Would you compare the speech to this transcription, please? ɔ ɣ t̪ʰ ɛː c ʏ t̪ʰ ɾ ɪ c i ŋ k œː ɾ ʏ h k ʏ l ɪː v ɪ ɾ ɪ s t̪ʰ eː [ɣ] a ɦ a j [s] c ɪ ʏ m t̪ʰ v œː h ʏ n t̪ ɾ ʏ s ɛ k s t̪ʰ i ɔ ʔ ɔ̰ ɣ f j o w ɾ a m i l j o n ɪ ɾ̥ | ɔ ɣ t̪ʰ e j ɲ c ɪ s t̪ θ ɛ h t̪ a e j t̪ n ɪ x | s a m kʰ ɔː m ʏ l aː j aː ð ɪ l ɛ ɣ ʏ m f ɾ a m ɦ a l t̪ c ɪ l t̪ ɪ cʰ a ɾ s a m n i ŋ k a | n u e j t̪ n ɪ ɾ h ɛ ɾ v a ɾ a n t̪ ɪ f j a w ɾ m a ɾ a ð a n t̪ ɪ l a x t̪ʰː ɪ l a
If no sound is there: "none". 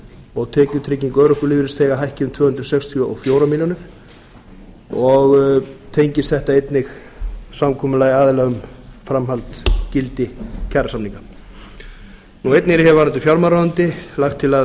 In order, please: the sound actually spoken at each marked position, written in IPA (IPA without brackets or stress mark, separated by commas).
ɣ, h